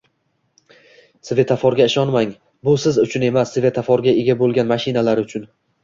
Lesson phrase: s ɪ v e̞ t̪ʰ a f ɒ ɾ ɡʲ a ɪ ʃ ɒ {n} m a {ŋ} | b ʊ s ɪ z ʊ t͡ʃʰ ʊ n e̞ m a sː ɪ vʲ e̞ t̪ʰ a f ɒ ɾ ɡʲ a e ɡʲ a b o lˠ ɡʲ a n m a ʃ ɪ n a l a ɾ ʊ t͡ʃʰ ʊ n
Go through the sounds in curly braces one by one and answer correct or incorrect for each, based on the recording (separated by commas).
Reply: correct, correct